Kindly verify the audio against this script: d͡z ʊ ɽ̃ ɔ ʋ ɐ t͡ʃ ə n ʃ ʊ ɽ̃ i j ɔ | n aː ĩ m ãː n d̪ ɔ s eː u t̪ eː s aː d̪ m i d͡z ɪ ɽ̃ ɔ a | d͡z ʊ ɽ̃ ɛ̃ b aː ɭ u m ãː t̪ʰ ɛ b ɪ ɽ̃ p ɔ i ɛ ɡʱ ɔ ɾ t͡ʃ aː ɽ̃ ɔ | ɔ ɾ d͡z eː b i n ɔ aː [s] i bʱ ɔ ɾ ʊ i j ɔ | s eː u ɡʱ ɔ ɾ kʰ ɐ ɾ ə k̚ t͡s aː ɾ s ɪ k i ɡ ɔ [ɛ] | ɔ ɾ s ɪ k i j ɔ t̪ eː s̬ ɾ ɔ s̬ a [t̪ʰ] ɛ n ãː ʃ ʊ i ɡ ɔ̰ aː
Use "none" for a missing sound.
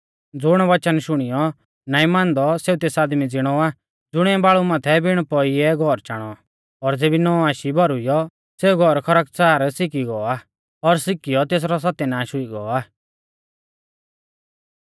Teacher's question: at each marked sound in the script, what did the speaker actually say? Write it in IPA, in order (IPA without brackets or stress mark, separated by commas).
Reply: ʃ, a, t̪